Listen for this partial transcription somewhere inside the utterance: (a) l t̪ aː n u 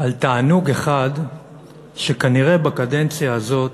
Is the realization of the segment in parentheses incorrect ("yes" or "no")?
no